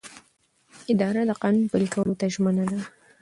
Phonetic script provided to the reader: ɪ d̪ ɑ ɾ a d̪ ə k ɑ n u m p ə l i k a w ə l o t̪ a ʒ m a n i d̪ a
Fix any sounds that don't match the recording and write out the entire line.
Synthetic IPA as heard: ɪ d̪ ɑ ɾ a d̪ ə q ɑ n u n p ə l i k a w ə l o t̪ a ʒ m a n a d̪ a